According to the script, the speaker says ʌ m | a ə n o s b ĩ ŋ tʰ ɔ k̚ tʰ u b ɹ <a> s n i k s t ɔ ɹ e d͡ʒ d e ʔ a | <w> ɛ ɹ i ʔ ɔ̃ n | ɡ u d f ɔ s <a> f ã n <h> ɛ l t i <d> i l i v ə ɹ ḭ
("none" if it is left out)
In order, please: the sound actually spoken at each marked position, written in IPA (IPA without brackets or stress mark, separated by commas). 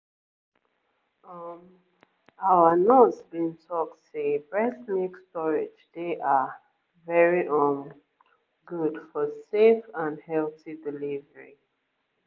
ɛ, v, e, h, d